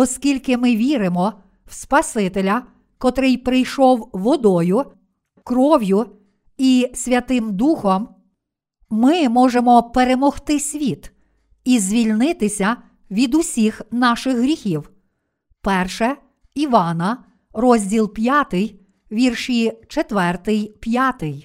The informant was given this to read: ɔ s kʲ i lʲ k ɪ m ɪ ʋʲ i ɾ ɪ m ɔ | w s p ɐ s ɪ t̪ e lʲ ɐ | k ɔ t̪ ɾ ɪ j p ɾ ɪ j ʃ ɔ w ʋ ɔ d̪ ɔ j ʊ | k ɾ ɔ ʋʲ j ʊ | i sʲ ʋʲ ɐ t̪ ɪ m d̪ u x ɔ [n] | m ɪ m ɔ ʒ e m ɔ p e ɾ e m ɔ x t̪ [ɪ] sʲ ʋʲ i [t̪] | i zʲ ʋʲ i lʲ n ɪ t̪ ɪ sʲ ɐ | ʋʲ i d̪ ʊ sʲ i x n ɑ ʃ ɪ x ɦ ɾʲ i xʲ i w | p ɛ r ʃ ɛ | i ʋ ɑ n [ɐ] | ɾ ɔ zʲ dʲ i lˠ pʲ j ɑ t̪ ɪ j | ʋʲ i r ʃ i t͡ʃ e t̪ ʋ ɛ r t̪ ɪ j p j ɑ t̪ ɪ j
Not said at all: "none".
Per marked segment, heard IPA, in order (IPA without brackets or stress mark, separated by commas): m, ɪ, t̪, ɐ